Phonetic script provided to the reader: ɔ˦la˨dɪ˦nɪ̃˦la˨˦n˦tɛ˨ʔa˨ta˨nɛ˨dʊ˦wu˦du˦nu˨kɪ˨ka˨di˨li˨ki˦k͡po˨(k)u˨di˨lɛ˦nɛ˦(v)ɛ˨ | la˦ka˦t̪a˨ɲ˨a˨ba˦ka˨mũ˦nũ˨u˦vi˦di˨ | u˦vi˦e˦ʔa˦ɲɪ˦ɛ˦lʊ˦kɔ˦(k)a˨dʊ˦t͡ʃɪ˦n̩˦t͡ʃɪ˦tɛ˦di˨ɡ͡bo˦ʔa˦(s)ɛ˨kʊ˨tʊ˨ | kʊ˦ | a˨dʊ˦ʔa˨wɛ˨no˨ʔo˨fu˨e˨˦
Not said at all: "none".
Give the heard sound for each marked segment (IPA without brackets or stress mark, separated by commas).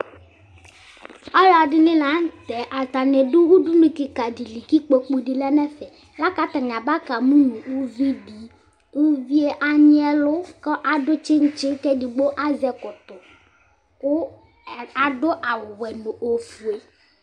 k͡p, f, ʔ, z